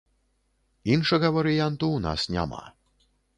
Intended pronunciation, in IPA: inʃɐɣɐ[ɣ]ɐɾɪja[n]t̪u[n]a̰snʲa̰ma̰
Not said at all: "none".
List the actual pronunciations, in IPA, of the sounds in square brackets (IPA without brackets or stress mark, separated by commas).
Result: v, n, n